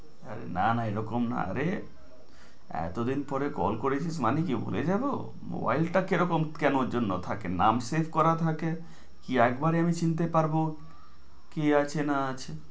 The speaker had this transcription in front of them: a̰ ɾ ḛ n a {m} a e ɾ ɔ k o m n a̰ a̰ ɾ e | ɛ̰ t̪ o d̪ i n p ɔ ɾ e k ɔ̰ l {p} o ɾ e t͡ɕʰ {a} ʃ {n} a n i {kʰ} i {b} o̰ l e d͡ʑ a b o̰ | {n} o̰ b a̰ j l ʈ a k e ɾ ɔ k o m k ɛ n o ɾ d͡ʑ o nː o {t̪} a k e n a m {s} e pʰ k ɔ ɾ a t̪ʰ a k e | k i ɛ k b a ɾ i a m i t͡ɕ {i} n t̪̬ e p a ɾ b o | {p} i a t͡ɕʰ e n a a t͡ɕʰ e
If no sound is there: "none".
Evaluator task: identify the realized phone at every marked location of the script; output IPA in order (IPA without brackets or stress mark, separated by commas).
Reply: n, k, i, m, k, b, m, t̪ʰ, s, i, k